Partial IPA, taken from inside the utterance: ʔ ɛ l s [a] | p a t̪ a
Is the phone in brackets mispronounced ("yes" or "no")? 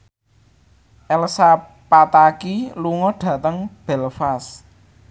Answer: no